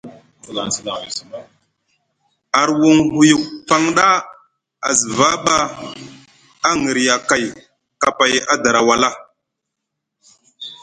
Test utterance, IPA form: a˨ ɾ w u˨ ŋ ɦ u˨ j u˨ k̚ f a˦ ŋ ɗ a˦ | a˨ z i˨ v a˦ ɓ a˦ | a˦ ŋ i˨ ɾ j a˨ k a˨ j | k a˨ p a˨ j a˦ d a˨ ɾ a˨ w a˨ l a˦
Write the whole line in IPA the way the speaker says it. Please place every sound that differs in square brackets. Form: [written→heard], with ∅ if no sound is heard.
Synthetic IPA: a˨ ɾ w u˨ ŋ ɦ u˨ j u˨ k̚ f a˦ ŋ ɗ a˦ | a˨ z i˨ v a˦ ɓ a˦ | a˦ ŋ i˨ ɾ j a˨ k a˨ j | k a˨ p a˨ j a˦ d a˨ ɾ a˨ w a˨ l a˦